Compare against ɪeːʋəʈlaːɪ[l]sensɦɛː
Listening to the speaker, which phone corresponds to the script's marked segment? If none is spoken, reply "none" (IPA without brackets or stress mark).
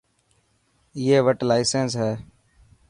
none